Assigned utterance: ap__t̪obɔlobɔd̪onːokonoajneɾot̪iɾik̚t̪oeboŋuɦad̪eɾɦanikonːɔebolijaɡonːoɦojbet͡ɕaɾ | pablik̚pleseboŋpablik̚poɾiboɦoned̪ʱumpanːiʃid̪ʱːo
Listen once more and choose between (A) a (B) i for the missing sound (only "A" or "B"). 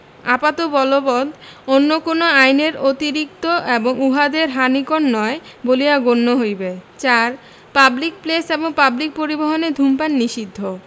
A